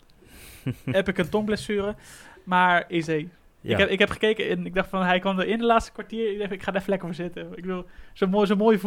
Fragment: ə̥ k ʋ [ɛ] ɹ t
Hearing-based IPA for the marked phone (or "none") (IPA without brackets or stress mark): a